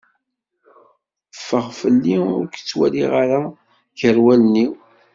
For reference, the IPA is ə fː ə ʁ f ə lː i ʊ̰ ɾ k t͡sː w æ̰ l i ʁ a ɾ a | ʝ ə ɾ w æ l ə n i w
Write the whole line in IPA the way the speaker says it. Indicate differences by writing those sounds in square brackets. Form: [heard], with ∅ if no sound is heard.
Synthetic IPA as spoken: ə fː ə ʁ f ə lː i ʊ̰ ɾ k t͡sː w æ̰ l i ʁ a ɾ a | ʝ ə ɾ w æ l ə n i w